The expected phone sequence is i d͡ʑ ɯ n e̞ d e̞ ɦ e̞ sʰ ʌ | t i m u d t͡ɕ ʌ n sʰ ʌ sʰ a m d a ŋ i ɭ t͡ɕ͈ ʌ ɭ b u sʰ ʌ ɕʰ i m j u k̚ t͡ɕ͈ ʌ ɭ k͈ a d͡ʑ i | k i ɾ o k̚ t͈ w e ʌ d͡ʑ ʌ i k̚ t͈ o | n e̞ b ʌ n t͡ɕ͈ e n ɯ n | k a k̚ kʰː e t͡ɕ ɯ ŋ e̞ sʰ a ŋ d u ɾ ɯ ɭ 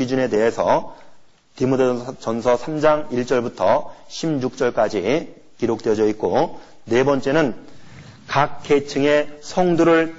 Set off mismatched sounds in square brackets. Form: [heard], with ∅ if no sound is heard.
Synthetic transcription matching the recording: i d͡ʑ [u] n e̞ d e̞ ɦ e̞ sʰ ʌ | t i m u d t͡ɕ ʌ n sʰ ʌ sʰ a m [d͡ʑ] a ŋ i ɭ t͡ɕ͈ ʌ ɭ b u [tʰ] ʌ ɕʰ i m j u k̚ t͡ɕ͈ ʌ ɭ k͈ a d͡ʑ i | k i ɾ o k̚ t͈ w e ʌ d͡ʑ ʌ i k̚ [k͈] o | n e̞ b ʌ n t͡ɕ͈ e n ɯ n | k a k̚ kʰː e [t͡ɕʰ] ɯ ŋ e̞ sʰ [ʌ] ŋ d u ɾ ɯ ɭ